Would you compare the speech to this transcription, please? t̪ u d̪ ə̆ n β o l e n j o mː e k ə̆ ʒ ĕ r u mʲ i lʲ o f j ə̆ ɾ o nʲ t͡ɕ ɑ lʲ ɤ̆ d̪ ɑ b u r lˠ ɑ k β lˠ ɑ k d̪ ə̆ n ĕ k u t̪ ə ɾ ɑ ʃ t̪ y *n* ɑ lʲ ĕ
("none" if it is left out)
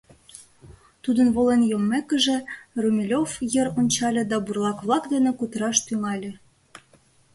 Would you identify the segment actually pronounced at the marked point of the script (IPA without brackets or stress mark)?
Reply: ŋ